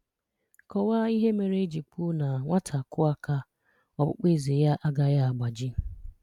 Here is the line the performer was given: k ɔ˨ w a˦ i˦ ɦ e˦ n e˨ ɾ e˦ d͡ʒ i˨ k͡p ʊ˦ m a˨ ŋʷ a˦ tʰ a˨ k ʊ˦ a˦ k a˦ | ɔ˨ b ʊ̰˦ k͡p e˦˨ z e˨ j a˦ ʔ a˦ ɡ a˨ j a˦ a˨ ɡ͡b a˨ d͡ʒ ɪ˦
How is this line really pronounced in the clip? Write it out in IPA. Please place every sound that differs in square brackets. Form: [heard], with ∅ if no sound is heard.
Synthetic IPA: k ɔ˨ w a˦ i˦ ɦ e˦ [m] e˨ ɾ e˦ d͡ʒ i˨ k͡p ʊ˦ [n] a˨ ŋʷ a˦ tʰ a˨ k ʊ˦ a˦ k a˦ | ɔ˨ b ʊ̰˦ k͡p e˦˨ z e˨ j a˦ ʔ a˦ ɡ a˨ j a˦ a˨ ɡ͡b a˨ d͡ʒ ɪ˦